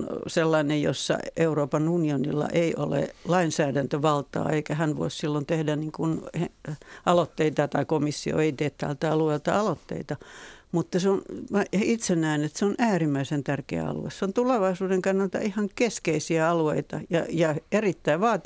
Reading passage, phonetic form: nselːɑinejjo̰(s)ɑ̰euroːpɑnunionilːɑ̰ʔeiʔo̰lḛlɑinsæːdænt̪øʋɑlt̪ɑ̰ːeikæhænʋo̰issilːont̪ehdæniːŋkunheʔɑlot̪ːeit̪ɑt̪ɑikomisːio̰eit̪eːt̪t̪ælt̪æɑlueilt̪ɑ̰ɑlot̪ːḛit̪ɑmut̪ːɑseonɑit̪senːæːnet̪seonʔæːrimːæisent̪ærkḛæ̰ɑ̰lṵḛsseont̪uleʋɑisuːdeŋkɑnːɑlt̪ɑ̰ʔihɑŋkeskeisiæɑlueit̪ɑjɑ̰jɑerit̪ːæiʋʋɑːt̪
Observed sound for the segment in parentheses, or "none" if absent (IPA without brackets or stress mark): sː